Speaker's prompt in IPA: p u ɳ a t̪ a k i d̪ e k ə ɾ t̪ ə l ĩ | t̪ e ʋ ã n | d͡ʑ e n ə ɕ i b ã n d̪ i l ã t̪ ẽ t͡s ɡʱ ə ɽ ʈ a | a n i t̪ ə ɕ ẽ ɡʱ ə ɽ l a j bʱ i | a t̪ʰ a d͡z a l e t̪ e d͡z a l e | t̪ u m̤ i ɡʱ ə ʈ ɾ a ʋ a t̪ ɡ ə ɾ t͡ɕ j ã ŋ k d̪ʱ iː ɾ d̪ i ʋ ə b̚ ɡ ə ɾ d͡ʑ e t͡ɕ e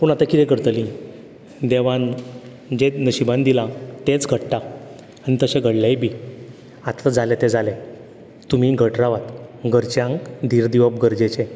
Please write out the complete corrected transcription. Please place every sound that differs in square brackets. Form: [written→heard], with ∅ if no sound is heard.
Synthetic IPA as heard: p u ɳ a t̪ a k i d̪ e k ə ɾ t̪ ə l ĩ | [t̪→d̪] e ʋ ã n | d͡ʑ e n ə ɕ i b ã n d̪ i l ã t̪ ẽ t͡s ɡʱ ə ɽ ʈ a | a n i t̪ ə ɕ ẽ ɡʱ ə ɽ l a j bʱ i | a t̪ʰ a d͡z a l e t̪ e d͡z a l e | t̪ u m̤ i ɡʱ ə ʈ ɾ a ʋ a t̪ ɡ ə ɾ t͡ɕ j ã ŋ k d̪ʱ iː ɾ d̪ i ʋ ə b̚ ɡ ə ɾ d͡ʑ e t͡ɕ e